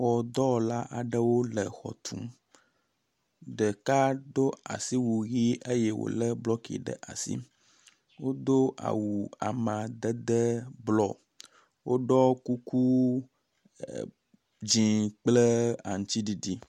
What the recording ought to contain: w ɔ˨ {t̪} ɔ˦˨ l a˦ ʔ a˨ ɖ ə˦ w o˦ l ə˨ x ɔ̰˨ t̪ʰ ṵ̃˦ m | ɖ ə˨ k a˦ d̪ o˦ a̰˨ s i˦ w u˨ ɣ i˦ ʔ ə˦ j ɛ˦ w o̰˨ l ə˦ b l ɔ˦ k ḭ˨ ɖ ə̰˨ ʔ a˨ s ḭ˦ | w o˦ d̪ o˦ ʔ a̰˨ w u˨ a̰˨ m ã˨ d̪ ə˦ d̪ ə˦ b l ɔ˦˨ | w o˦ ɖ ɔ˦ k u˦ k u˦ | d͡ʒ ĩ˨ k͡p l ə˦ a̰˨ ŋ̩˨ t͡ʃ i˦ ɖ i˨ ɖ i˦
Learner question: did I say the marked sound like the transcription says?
no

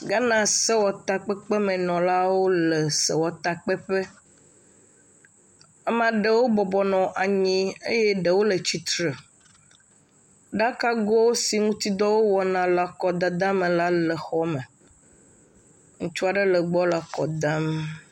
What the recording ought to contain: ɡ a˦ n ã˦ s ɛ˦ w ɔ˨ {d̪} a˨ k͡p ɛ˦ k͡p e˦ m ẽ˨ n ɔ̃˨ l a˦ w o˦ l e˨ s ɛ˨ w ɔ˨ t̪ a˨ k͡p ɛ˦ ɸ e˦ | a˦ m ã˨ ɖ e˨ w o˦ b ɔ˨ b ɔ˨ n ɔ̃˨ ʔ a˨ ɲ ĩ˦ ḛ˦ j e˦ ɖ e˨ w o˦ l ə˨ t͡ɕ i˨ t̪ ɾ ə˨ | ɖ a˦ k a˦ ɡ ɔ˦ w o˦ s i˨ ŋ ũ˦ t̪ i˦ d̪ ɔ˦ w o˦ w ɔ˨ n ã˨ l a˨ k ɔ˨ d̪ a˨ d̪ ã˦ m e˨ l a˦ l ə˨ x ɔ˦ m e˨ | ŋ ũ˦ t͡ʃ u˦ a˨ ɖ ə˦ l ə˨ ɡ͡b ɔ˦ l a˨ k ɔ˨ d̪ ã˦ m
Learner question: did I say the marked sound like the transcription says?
no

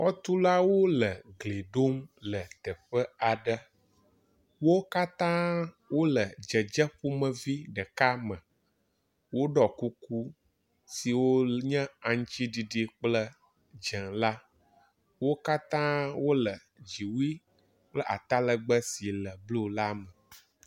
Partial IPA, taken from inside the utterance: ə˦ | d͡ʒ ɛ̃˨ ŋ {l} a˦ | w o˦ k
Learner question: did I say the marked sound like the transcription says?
yes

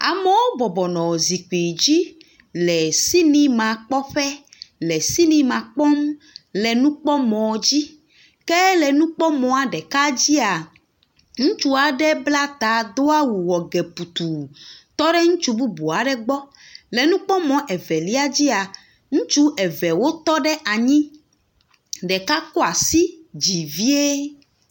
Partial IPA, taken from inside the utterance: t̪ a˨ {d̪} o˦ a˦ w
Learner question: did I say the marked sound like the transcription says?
yes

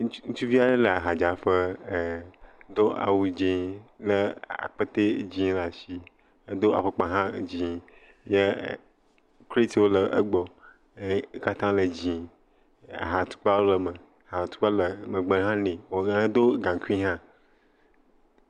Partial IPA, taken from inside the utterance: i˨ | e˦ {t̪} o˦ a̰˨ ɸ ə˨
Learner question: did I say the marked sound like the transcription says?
no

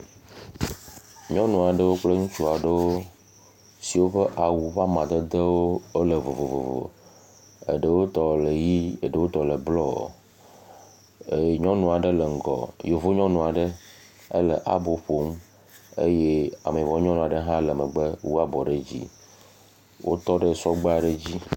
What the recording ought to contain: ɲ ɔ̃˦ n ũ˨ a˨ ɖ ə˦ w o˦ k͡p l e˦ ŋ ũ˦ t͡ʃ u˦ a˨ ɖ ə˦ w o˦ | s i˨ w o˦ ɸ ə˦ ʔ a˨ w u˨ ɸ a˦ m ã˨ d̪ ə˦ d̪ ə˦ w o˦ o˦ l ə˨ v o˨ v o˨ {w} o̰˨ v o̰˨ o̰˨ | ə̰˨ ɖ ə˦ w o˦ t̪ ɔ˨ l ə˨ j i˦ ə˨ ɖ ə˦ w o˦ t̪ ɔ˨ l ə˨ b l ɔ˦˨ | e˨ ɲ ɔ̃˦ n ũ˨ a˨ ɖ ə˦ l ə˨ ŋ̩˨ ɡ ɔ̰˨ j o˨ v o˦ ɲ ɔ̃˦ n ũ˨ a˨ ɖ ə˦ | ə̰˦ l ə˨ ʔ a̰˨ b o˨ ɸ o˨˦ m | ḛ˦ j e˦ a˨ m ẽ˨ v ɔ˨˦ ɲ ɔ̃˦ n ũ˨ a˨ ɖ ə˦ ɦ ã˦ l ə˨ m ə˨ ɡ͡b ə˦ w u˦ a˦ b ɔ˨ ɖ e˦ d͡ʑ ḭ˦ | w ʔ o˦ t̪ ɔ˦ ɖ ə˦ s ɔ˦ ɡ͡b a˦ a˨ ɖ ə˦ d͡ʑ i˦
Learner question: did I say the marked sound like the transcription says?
no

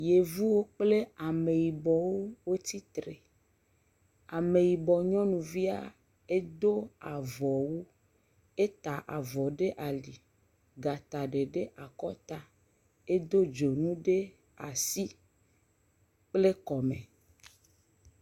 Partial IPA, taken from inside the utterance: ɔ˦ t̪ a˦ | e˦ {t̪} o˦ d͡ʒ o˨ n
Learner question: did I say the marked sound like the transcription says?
no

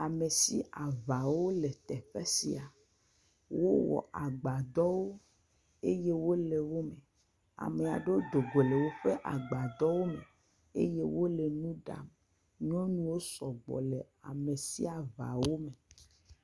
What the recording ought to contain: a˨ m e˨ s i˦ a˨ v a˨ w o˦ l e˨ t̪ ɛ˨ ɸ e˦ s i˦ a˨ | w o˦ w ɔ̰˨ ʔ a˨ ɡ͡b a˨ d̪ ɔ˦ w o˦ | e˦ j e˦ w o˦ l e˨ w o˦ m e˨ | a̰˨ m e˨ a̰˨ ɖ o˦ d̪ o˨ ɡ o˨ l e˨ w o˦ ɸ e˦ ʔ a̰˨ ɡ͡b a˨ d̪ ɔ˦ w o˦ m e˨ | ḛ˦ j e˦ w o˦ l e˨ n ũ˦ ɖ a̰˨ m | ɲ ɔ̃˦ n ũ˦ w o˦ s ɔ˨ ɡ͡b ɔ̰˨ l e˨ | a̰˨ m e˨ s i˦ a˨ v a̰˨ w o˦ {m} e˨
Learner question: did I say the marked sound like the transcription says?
yes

